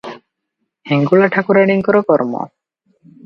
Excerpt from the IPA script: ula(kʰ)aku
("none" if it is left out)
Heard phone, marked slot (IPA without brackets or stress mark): ʈʰ